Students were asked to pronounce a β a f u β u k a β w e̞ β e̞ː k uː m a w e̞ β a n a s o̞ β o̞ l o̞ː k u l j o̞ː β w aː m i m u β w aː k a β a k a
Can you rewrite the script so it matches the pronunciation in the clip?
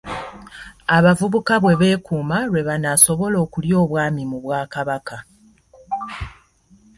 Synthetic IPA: a β a v u β u k a β w e̞ β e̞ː k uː m a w e̞ β a n a s o̞ β o̞ l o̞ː k u l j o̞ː β w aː m i m u β w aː k a β a k a